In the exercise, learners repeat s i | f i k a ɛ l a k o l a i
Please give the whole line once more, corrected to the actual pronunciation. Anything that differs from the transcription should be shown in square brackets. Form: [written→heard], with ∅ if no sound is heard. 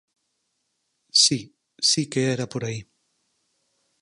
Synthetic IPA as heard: s i | [f→s] i k [a→e] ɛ [l→ɾ] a [k→p] o [l→ɾ] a i